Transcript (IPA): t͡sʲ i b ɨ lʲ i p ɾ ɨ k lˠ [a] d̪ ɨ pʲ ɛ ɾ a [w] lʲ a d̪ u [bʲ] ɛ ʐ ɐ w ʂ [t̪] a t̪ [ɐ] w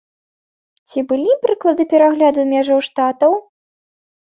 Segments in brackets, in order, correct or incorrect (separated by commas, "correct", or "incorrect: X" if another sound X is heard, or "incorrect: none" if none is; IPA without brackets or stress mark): incorrect: ɐ, incorrect: ɣ, incorrect: mʲ, correct, correct